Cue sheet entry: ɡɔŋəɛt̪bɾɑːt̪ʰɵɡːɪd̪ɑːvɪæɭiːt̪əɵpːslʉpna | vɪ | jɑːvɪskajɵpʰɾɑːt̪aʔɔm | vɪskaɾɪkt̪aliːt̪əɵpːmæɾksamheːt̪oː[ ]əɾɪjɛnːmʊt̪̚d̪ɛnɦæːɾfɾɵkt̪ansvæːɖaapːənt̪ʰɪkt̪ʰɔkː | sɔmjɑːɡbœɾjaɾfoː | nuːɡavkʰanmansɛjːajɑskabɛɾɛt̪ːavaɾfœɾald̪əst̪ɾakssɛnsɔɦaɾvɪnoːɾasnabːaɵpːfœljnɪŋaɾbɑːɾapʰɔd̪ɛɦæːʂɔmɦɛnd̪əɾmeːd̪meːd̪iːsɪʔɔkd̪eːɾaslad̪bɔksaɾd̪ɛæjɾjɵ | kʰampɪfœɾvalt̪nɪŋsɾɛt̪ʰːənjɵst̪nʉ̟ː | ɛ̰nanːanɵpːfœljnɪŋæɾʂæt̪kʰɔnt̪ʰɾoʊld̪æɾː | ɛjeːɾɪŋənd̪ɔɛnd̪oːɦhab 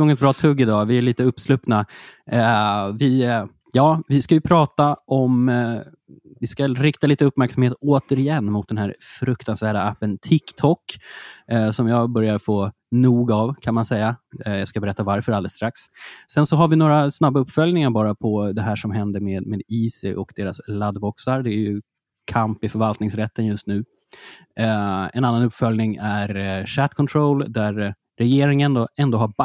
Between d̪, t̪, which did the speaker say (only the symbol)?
t̪